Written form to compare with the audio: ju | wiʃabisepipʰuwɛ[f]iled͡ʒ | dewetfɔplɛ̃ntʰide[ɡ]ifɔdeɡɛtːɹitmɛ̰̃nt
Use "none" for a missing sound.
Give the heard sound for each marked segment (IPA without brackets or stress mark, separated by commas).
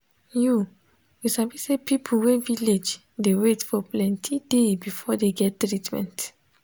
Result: v, b